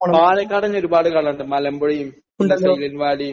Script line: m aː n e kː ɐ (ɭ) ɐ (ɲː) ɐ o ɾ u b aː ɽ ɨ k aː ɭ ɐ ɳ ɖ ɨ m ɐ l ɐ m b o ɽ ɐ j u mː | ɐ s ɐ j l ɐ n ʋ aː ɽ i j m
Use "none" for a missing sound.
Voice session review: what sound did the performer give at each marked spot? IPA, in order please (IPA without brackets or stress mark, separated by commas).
ɽ, ɲː